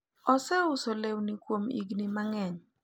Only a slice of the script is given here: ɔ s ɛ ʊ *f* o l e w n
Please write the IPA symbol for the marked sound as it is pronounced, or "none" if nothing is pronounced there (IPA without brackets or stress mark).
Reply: s